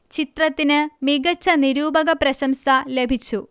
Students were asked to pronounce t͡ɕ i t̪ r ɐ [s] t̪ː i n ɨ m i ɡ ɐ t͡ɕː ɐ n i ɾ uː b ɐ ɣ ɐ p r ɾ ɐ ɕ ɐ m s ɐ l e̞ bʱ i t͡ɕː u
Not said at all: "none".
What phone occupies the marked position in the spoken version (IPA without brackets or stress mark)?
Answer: none